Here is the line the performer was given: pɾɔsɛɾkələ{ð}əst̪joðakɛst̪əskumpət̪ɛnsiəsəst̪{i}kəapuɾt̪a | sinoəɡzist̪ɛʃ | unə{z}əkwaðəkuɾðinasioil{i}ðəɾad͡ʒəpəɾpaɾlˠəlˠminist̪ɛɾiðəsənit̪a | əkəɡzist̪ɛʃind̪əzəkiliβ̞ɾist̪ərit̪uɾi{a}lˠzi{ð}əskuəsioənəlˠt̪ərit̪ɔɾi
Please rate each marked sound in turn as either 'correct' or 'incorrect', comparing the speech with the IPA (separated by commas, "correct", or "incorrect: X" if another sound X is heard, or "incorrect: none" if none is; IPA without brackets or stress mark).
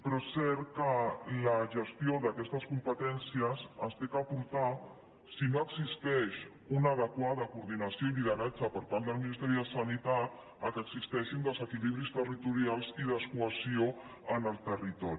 incorrect: ʒ, incorrect: e, incorrect: ð, correct, correct, correct